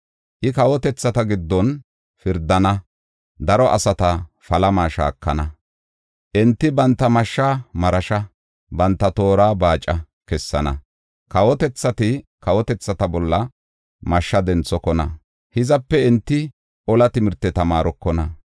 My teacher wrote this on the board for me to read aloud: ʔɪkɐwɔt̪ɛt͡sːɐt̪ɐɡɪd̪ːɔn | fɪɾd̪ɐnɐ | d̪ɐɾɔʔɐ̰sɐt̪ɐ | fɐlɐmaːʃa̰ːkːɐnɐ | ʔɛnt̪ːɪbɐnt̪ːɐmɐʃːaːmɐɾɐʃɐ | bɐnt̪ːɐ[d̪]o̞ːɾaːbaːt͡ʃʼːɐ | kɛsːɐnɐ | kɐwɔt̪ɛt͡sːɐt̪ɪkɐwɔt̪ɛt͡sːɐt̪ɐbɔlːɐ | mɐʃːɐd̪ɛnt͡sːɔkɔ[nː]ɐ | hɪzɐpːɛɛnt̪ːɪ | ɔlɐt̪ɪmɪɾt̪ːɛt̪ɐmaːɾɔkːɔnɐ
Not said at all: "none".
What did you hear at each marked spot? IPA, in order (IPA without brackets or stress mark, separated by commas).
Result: t̪, n